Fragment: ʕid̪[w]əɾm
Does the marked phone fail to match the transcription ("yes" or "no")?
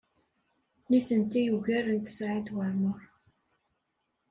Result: no